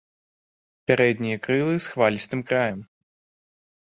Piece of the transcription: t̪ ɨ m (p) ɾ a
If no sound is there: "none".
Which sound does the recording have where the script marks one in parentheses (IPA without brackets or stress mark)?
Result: k